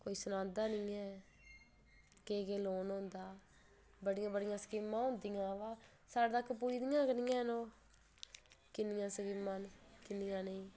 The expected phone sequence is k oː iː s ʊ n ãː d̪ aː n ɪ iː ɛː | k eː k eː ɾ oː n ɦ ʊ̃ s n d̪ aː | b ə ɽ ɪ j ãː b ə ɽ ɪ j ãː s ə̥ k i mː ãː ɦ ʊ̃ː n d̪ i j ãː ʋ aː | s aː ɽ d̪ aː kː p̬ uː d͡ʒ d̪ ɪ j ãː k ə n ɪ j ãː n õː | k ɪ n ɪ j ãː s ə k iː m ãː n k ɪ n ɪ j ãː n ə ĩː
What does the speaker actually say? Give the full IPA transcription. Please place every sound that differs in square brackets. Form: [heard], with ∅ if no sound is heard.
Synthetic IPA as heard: k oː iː s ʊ n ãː d̪ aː n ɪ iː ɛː | k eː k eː [l] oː n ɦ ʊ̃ [∅] n d̪ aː | b ə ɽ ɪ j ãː b ə ɽ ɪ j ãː s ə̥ k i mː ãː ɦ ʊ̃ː n d̪ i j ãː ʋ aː | s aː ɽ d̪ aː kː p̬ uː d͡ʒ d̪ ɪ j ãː k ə n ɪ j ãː n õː | k ɪ n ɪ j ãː s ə k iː m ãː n k ɪ n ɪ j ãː n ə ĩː